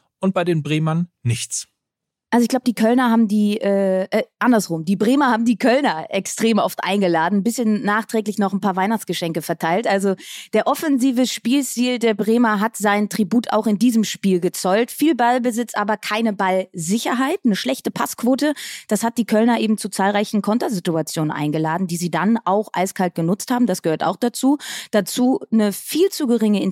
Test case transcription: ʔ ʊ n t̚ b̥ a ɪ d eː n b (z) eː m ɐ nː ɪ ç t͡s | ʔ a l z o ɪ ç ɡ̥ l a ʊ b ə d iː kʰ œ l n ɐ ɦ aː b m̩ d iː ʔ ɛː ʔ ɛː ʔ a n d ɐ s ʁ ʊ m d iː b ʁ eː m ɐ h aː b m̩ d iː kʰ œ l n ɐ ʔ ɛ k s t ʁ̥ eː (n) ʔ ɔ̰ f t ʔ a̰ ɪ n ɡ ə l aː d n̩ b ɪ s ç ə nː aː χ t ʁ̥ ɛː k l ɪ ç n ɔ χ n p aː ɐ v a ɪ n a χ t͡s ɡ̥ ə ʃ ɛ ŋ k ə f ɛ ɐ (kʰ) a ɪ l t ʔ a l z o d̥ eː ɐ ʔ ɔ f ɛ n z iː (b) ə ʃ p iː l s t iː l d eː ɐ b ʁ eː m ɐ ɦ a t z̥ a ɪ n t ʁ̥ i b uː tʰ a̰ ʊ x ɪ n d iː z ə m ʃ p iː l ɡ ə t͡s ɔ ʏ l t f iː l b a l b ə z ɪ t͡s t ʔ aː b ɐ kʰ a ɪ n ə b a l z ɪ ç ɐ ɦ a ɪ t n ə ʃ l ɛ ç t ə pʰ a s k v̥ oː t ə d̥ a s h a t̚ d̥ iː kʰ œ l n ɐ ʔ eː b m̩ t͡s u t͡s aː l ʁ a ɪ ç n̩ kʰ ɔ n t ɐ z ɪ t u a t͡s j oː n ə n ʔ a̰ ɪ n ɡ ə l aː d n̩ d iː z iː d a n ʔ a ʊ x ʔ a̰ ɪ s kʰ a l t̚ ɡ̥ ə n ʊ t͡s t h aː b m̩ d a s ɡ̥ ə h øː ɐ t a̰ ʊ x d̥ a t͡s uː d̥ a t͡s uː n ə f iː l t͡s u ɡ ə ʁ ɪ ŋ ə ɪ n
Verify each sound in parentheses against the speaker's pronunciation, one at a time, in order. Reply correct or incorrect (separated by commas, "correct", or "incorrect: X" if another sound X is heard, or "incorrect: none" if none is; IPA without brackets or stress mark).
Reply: incorrect: ʁ, incorrect: m, incorrect: tʰ, incorrect: v